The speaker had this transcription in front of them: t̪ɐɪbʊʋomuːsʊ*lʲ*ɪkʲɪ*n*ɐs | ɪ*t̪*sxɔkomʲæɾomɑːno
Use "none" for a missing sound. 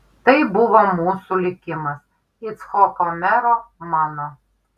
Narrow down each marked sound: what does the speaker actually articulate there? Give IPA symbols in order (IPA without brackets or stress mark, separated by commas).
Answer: lʲ, m, t̪